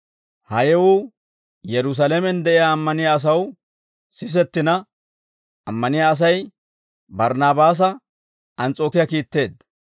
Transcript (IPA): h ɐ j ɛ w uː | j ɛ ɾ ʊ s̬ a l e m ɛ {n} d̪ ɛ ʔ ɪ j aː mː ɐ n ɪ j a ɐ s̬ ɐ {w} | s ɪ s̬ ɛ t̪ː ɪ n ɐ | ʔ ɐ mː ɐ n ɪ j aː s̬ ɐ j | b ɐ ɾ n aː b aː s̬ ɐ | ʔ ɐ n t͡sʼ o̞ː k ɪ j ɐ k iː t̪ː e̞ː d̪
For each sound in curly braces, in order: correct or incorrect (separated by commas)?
correct, correct